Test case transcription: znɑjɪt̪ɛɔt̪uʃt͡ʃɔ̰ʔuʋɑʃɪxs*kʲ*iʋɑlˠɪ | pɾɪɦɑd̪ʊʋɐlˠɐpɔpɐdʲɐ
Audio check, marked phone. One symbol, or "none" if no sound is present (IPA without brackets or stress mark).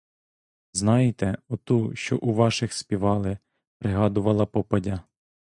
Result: pʲ